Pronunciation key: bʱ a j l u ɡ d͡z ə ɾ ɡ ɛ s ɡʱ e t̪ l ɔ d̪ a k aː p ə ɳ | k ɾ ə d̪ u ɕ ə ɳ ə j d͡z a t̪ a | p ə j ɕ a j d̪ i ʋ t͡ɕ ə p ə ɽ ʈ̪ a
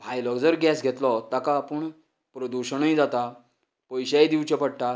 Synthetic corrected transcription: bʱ a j l ɔ ɡ d͡z ə ɾ ɡ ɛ s ɡʱ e t̪ l ɔ t̪ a k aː p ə ɳ | p ɾ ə d̪ u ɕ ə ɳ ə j d͡z a t̪ a | p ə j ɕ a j d̪ i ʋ t͡ɕ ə p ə ɽ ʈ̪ a

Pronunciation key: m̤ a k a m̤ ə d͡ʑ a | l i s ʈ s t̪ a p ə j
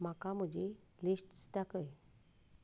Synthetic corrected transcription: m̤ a k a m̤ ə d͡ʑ e | l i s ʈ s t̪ a k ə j

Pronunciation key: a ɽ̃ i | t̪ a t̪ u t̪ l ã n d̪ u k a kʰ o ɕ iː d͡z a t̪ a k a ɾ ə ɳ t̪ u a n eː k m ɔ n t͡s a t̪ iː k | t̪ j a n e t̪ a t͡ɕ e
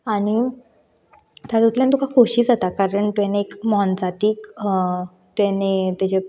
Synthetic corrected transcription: a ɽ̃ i | t̪ a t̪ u t̪ l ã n t̪ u k a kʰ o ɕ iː d͡z a t̪ a k a ɾ ə ɳ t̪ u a n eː k m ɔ n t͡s a t̪ iː k | t̪ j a n e t̪ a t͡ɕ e

